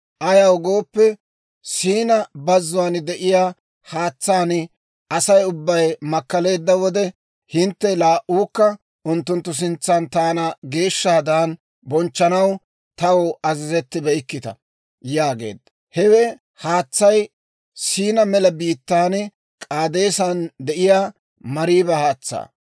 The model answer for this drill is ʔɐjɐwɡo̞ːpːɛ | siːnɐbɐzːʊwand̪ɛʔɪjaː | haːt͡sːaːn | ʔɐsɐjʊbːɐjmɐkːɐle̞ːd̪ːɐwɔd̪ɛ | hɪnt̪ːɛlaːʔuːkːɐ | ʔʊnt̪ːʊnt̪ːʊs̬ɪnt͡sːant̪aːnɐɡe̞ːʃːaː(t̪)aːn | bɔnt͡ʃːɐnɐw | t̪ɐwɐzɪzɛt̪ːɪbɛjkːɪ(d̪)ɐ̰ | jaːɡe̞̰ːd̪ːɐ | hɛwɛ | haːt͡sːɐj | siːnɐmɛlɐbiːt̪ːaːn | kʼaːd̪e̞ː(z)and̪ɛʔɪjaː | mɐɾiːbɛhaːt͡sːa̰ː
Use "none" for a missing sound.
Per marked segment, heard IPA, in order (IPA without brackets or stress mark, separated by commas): d̪, t̪, s